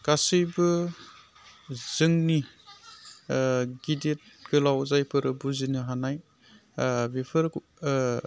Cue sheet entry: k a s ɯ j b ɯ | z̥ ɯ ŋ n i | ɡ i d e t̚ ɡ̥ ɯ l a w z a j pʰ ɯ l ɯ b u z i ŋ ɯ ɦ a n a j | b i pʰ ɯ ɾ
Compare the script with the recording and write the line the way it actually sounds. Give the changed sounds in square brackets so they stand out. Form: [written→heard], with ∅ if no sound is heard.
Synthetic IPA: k a s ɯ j b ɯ | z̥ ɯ ŋ n i | ɡ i d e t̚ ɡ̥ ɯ l a w z a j pʰ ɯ [l→ɾ] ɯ b u z i [ŋ→n] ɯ ɦ a n a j | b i pʰ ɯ ɾ